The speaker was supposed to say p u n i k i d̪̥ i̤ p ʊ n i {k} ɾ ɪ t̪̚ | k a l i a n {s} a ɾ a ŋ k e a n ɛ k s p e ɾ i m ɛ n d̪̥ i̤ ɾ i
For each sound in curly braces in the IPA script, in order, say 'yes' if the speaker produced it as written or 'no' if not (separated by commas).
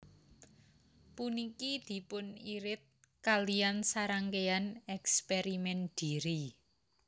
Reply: no, yes